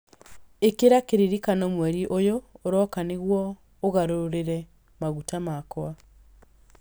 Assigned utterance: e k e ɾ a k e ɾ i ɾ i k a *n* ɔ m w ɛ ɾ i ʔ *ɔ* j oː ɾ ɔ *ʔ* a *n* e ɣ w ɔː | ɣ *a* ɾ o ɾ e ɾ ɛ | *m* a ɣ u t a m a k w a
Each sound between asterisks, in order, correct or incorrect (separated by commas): correct, incorrect, incorrect, correct, correct, correct